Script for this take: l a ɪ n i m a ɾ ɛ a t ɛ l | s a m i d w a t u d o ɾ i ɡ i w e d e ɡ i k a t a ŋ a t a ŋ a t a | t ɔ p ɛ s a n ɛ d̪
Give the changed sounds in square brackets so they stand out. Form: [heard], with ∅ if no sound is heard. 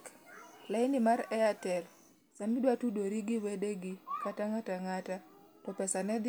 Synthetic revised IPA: l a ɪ n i m a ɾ ɛ a t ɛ l | s a m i d w a t u d o ɾ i ɡ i w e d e ɡ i k a t a ŋ a t a ŋ a t a | t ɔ p ɛ s a n ɛ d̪